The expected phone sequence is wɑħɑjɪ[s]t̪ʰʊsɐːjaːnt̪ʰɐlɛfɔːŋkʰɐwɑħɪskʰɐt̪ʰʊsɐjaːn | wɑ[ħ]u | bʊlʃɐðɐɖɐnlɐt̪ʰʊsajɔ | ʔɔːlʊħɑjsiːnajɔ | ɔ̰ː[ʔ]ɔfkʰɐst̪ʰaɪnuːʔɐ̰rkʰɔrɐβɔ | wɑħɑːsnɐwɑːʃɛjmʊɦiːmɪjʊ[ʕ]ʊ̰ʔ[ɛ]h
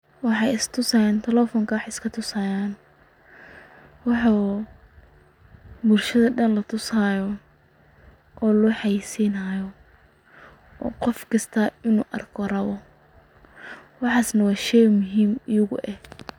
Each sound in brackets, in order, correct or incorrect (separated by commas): correct, correct, incorrect, incorrect, correct